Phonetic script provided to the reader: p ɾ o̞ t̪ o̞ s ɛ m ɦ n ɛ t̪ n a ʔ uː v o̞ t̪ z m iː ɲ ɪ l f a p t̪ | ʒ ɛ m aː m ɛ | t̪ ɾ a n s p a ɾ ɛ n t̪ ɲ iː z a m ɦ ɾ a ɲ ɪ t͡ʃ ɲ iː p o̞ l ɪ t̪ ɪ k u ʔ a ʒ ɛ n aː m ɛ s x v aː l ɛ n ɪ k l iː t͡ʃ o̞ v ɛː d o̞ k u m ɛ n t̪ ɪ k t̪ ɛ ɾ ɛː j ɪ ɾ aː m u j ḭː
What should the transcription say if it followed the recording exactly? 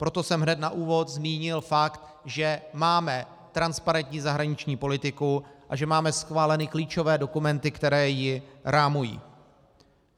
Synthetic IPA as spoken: p ɾ o̞ t̪ o̞ s ɛ m ɦ n ɛ t̪ n a ʔ uː v o̞ t̪ z m iː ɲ ɪ l f a k t̪ | ʒ ɛ m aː m ɛ | t̪ ɾ a n s p a ɾ ɛ n t̪ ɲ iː z a ɦ ɾ a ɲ ɪ t͡ʃ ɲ iː p o̞ l ɪ t̪ ɪ k u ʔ a ʒ ɛ m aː m ɛ s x v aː l ɛ n ɪ k l iː t͡ʃ o̞ v ɛː d o̞ k u m ɛ n t̪ ɪ k t̪ ɛ ɾ ɛː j ɪ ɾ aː m u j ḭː